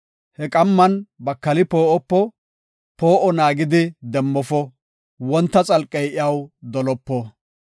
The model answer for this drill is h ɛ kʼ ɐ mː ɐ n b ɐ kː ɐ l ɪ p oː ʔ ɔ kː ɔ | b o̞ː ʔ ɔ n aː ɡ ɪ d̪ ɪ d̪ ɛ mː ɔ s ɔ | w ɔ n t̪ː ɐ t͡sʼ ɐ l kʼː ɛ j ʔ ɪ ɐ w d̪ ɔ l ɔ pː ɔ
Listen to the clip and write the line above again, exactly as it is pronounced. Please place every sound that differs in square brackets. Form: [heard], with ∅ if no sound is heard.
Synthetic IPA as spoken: h ɛ kʼ ɐ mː ɐ n b ɐ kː ɐ l ɪ p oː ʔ ɔ [pː] ɔ | [p] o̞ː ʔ ɔ n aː ɡ ɪ d̪ ɪ d̪ ɛ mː ɔ [f] ɔ | w ɔ n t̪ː ɐ t͡sʼ ɐ l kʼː ɛ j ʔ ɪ ɐ w d̪ ɔ l ɔ pː ɔ